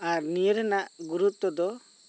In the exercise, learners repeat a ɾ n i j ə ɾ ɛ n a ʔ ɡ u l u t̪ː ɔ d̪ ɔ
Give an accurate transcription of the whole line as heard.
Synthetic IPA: a ɾ n i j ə ɾ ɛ n a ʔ ɡ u ɾ u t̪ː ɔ d̪ ɔ